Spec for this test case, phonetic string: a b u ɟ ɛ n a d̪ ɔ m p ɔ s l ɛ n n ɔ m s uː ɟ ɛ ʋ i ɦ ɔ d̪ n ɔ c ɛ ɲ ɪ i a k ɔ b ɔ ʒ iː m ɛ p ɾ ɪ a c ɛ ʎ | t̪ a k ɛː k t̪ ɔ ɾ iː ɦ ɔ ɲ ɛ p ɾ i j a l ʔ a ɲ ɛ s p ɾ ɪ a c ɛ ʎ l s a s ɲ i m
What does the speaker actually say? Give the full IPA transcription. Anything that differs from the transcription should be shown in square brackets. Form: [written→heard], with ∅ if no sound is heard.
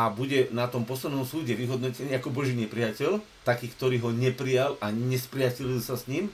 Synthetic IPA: a b u ɟ ɛ n a [d̪→t̪] ɔ m p ɔ s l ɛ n n ɔ m s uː ɟ ɛ ʋ i ɦ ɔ d̪ n ɔ c ɛ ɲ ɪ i a k ɔ b ɔ ʒ iː [m→ɲ] ɛ p ɾ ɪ a c ɛ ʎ | t̪ a k [ɛː→iː] k t̪ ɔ ɾ iː ɦ ɔ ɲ ɛ p ɾ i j a l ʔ a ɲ ɛ s p ɾ ɪ a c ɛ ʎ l s a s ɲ i m